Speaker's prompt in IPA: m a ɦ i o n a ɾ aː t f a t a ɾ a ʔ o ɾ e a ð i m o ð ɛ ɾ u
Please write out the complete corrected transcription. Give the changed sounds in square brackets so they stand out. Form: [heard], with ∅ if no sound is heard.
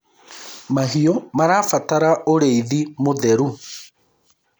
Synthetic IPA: m a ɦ i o [m] a ɾ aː [∅] f a t a ɾ a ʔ o ɾ e [i] ð i m o ð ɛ ɾ u